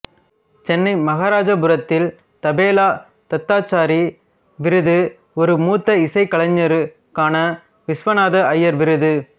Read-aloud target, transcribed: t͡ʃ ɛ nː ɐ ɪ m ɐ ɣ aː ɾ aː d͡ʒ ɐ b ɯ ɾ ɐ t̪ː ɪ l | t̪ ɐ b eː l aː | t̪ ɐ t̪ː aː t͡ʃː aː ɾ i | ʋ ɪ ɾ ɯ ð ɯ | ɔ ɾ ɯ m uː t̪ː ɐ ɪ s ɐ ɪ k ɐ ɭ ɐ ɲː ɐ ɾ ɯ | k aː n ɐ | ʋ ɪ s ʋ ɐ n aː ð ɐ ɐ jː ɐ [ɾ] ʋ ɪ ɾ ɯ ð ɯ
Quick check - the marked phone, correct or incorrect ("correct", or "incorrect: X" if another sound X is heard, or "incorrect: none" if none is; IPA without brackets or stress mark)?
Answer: correct